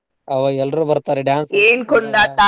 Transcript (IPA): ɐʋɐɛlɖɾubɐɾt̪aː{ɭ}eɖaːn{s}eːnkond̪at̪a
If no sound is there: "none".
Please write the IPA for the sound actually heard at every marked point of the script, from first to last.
ɾ, s

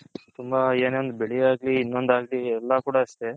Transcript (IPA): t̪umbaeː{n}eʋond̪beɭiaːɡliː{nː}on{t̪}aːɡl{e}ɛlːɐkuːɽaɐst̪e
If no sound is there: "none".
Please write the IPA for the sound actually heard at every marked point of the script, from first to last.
n, nː, d̪, i

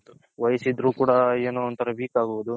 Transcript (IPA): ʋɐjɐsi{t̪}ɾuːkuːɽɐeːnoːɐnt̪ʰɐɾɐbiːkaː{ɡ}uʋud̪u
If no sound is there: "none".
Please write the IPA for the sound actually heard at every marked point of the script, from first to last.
d̪, ɡ

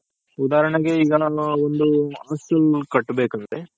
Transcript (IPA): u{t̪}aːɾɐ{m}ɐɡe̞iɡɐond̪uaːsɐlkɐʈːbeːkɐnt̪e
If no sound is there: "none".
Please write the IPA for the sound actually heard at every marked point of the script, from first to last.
d̪, ɳ

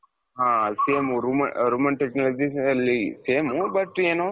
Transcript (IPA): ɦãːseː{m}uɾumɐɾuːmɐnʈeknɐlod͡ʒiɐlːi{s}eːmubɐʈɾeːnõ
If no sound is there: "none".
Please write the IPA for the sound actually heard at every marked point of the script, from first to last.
m, s

